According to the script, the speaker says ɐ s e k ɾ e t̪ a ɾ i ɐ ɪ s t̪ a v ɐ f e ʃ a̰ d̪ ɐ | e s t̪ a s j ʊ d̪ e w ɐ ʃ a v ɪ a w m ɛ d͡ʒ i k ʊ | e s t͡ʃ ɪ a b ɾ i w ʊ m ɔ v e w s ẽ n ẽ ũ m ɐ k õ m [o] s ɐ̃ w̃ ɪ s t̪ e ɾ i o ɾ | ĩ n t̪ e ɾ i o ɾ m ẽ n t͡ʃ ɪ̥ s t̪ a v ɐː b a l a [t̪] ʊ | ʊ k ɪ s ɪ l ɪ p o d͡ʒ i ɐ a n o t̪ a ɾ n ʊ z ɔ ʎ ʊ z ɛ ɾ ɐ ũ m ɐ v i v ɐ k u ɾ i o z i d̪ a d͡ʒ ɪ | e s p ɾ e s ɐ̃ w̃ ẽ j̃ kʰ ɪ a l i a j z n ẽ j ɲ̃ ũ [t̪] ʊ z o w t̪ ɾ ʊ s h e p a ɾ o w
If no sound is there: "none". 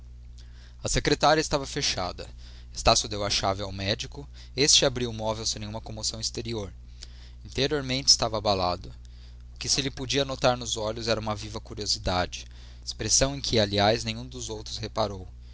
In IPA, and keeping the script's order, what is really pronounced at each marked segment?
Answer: o, d̪, d̪

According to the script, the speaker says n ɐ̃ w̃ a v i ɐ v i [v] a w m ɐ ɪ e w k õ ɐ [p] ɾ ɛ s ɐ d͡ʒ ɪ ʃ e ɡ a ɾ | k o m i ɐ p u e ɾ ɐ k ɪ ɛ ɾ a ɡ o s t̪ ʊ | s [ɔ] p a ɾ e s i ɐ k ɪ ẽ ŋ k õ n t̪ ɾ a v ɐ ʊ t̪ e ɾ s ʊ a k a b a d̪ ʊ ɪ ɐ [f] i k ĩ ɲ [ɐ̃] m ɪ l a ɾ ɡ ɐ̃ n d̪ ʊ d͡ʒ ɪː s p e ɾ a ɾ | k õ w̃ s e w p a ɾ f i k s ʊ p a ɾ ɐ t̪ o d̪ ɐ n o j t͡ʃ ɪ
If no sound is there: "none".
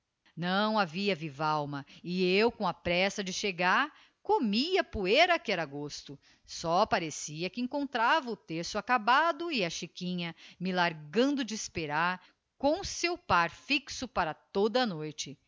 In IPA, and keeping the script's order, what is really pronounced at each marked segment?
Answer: v, p, ɔ, ʃ, ɐ

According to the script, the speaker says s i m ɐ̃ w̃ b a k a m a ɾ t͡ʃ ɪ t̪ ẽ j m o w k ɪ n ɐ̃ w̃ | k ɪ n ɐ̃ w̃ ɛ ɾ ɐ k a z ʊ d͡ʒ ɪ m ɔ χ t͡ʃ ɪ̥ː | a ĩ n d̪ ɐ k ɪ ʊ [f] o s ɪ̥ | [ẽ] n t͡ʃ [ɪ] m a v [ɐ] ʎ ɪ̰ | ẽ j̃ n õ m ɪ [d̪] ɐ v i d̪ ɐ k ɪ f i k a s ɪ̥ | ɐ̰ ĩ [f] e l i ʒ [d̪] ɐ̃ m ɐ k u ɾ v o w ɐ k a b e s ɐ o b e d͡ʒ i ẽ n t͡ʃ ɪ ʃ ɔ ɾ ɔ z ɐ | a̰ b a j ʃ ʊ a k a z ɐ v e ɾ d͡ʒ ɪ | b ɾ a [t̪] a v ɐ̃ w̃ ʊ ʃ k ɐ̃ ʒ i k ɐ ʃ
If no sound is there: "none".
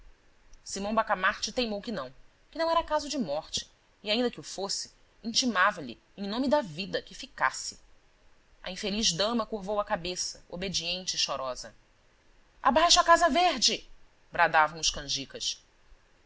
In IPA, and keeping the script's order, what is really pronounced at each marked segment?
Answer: f, ĩ, i, ɐ, d̪, f, d̪, d̪

